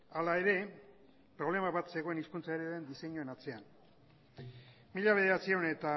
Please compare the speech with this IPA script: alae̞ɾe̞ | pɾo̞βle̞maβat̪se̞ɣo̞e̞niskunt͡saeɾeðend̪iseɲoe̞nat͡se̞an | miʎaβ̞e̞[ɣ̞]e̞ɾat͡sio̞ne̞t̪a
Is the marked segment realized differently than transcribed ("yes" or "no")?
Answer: yes